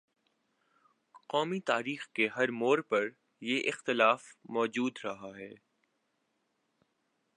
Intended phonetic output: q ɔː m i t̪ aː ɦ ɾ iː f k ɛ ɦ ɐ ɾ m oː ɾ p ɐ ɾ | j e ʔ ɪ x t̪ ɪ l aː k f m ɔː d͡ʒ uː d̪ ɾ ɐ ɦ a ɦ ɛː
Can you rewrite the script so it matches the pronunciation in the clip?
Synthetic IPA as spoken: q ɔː m i t̪ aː ɾ iː x k e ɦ ɐ ɾ m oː ɾ p ɐ ɾ | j e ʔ ɪ x t̪ ɪ l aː f m ɔː d͡ʒ uː d̪ ɾ ɐ ɦ a ɦ ɛː